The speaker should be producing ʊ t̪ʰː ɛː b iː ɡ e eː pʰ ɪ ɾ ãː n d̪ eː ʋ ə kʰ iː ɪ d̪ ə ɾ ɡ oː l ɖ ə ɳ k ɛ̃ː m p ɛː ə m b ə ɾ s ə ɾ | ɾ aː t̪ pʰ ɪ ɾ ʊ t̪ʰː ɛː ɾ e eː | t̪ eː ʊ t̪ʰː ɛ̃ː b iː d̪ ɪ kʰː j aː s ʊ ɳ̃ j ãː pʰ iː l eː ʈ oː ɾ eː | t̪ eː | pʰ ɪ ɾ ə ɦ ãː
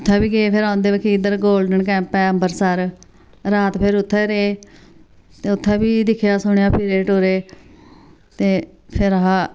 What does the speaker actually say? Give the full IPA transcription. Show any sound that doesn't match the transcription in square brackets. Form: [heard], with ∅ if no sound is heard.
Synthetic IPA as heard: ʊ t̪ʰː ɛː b iː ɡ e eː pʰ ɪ ɾ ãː n d̪ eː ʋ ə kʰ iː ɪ d̪ ə ɾ ɡ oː l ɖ ə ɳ k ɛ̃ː m p ɛː ə m b ə ɾ s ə ɾ | ɾ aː t̪ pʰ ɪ ɾ ʊ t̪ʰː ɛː ɾ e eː | t̪ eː ʊ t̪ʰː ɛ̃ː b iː d̪ ɪ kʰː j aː s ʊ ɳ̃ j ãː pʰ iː [ɾ] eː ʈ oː ɾ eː | t̪ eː | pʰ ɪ ɾ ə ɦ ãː